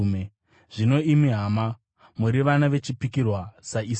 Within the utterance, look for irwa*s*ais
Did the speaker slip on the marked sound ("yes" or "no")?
no